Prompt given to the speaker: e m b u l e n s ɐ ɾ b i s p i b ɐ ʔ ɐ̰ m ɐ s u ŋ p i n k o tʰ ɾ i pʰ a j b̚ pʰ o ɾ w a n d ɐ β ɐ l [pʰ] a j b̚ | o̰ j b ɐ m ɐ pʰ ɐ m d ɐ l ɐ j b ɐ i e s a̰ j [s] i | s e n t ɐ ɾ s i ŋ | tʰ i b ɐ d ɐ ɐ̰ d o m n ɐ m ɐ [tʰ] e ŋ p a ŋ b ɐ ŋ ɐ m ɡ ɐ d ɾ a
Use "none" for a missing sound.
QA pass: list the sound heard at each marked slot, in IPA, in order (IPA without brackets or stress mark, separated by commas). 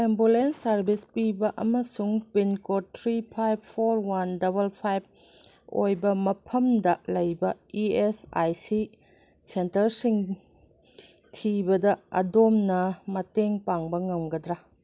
pʰ, s, t